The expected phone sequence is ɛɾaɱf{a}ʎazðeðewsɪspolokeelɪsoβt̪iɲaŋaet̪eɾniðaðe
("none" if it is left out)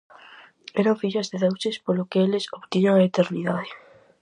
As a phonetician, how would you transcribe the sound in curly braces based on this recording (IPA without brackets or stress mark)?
i